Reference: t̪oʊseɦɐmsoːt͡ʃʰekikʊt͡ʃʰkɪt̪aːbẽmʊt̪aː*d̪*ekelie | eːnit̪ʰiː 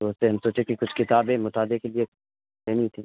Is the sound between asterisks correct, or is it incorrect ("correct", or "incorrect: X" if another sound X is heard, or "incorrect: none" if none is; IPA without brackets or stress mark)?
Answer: correct